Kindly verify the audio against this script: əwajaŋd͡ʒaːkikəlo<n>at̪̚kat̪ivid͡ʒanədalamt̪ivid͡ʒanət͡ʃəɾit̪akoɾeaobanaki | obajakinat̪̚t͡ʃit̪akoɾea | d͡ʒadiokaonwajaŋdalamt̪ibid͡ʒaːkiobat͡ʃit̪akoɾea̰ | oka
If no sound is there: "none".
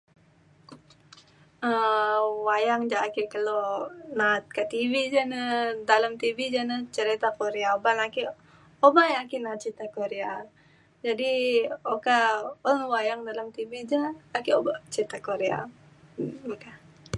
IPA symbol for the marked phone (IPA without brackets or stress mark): n